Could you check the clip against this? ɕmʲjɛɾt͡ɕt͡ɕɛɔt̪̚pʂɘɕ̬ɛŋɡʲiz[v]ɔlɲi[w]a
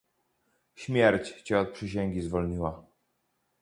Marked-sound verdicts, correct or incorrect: correct, correct

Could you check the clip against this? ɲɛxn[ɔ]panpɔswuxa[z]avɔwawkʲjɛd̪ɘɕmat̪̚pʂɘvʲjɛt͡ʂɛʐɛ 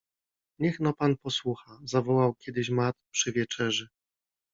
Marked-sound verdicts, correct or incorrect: correct, correct

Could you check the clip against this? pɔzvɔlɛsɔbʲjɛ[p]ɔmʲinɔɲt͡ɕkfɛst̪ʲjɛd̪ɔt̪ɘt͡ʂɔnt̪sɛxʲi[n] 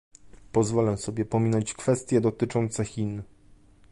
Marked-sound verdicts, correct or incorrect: correct, correct

